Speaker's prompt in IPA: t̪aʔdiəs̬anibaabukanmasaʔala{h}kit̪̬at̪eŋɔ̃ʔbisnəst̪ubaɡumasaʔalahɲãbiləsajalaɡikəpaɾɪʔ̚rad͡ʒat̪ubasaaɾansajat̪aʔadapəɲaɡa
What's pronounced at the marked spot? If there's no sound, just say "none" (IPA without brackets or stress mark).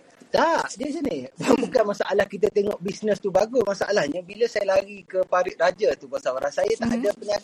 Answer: h